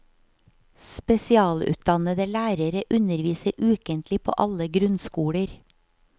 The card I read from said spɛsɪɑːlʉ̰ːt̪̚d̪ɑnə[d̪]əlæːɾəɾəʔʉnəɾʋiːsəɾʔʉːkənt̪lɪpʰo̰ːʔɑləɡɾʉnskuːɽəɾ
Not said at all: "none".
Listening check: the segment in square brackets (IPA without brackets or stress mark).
d̪